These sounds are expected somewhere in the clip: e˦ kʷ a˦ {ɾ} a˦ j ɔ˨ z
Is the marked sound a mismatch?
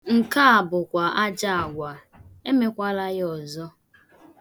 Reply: yes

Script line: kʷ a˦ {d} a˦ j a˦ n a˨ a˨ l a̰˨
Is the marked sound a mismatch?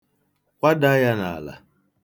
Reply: no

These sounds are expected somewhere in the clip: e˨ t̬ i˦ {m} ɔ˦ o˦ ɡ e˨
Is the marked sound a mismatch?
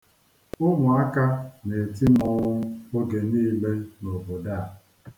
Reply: no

